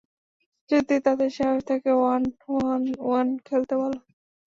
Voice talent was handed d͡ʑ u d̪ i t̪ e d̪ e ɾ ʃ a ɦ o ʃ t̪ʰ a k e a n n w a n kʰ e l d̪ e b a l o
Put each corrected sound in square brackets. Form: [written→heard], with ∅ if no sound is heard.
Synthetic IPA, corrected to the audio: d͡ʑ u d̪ i t̪ [e→a] d̪ e ɾ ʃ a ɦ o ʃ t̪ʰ a k e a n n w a n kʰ e l [d̪→t̪] e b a l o